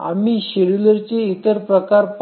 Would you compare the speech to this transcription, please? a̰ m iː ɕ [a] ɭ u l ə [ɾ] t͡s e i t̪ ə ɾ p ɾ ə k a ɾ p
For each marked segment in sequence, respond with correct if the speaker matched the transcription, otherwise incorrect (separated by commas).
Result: incorrect, correct